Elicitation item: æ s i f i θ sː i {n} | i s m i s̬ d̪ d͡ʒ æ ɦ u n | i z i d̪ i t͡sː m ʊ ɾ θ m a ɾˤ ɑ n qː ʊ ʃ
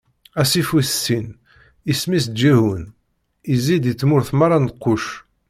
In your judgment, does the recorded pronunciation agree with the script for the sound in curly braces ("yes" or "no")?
yes